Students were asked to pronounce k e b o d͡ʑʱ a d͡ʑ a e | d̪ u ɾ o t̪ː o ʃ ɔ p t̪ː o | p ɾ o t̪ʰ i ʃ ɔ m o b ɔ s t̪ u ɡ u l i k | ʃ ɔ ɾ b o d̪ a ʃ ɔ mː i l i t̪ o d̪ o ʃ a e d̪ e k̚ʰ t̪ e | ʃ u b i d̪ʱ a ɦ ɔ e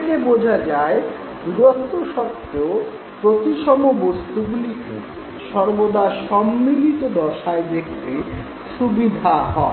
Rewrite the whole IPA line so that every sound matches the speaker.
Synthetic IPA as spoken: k e b o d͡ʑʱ a d͡ʑ a e | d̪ u ɾ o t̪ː o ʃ ɔ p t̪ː o | p ɾ o t̪ i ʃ ɔ m o b o s t̪ u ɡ u l i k | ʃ ɔ ɾ b o d̪ a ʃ ɔ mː i l i t̪ o d̪ ɔ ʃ a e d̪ e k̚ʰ t̪ e | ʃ u b i d̪ʱ a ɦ ɔ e